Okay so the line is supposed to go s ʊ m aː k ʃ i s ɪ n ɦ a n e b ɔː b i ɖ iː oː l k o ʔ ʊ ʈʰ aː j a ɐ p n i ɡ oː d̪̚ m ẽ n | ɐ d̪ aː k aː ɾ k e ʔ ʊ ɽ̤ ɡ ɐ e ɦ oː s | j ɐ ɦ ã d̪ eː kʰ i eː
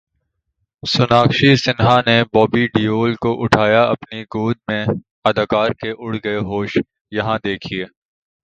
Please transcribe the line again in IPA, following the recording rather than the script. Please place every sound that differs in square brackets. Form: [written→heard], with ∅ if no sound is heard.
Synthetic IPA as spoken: s ʊ [m→n] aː k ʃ i s ɪ n ɦ a n e b ɔː b i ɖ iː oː l k o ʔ ʊ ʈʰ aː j a ɐ p n i ɡ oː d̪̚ m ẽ [n→∅] | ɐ d̪ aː k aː ɾ k e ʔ ʊ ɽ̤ ɡ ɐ e ɦ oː [s→ʃ] | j ɐ ɦ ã d̪ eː kʰ i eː